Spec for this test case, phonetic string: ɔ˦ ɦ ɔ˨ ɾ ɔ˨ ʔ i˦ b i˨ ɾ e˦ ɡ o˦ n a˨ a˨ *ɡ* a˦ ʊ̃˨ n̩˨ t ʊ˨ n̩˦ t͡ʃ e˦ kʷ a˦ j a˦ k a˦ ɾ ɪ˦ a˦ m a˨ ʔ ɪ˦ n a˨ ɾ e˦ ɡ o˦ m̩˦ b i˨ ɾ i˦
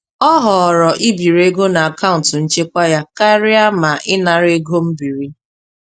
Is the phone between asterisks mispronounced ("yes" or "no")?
yes